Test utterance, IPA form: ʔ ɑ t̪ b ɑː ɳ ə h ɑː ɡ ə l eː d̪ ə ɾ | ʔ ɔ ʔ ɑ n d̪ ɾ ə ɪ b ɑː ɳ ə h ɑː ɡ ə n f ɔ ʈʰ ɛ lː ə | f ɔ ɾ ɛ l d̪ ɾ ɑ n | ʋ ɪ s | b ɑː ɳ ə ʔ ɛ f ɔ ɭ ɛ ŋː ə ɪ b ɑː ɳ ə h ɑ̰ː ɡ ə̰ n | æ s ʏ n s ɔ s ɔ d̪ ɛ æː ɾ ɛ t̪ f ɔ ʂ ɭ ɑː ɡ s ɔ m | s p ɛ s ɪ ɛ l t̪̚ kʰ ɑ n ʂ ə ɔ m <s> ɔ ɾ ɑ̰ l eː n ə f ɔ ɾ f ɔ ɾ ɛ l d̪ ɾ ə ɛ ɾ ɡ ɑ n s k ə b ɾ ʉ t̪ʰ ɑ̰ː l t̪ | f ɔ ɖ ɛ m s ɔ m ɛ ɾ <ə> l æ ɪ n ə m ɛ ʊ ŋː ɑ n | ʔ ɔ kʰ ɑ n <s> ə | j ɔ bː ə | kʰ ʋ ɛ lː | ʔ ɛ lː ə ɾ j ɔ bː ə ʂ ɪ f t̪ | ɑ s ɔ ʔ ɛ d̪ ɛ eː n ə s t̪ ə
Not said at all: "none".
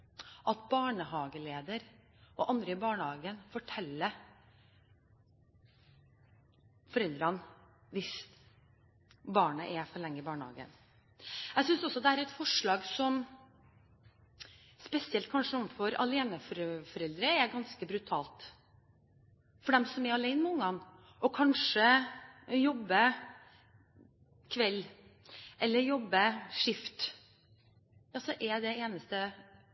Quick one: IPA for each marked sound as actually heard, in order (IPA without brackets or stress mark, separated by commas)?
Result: f, ɑ, ʂ